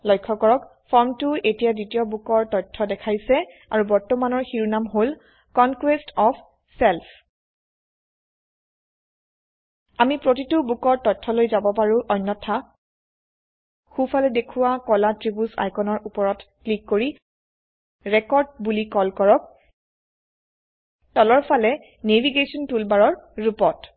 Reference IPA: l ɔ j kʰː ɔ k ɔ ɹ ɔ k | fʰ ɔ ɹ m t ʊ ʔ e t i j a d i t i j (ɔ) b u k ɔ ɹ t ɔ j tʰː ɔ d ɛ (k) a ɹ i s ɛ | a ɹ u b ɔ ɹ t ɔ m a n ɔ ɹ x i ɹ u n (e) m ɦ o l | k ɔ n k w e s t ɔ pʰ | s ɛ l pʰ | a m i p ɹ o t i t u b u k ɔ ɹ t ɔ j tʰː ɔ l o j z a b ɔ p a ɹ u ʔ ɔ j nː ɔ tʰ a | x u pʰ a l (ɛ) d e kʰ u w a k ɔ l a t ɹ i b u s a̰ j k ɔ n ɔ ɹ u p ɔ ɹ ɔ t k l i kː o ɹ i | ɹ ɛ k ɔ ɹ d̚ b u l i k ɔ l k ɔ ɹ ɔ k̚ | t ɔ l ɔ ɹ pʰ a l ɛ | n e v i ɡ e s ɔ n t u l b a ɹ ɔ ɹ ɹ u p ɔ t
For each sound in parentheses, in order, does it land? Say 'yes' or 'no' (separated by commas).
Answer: yes, no, no, yes